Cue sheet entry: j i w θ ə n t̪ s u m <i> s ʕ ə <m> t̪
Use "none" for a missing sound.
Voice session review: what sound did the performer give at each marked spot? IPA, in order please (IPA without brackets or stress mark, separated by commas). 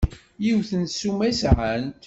æ, n